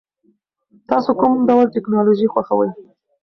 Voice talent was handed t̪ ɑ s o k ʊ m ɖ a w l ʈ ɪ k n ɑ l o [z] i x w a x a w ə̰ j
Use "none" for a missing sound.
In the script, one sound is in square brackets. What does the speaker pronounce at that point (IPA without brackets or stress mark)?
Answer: ʒ